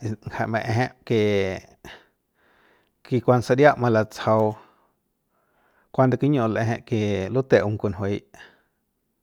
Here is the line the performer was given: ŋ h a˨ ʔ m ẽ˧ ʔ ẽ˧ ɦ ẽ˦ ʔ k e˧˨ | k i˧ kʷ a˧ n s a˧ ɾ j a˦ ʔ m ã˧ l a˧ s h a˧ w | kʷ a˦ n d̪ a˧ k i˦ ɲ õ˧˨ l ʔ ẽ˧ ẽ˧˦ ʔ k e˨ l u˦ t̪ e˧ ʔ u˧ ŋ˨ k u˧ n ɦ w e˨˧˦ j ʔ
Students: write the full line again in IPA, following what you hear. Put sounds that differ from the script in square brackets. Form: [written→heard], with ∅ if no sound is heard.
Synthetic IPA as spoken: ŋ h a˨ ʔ m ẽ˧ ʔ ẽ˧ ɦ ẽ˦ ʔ k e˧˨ | k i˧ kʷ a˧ n s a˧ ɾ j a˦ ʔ m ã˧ l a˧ [s→t͡s] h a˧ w | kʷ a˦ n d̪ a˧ k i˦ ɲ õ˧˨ l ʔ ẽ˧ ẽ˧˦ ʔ k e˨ l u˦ t̪ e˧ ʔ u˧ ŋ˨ k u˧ n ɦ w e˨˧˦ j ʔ